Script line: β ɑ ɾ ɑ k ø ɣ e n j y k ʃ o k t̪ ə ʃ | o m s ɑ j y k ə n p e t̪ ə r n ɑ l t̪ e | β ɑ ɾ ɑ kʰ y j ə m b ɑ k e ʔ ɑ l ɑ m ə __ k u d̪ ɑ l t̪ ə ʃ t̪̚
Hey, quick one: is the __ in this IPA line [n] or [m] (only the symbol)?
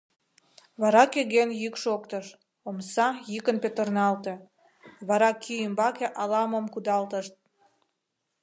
m